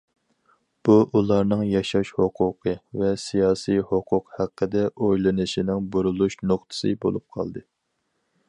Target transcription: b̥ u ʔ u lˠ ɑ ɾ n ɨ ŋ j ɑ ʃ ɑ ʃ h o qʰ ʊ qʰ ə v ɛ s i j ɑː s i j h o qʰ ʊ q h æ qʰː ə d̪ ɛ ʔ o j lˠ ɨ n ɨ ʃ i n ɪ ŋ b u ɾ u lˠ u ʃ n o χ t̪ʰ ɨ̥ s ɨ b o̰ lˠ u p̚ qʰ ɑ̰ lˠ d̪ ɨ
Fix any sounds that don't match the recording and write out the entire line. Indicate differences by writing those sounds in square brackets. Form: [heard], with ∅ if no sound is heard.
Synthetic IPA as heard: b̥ u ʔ u lˠ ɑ ɾ n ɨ ŋ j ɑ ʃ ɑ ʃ h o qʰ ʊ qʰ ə v ɛ s i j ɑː s i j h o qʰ ʊ q h æ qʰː ə d̪ ɛ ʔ o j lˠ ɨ n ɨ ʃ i n ɪ ŋ b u ɾ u lˠ u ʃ n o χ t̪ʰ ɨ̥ s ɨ b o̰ lˠ u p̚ qʰ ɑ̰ lˠ d̪ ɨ